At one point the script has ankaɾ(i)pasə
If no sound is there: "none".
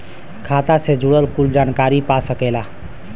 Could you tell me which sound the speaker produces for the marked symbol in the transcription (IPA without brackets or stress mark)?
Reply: i